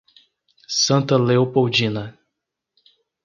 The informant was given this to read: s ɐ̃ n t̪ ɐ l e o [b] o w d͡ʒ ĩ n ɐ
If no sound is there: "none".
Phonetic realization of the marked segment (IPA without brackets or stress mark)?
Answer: p